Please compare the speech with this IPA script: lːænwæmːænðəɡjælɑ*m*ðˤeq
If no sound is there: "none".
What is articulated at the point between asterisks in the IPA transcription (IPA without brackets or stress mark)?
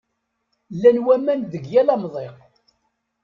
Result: m